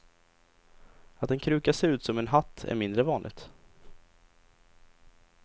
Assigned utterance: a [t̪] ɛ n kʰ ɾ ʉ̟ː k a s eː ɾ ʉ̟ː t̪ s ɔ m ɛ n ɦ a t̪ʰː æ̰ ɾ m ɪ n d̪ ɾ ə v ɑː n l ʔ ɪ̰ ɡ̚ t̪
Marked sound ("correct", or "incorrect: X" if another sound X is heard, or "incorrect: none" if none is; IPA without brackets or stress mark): correct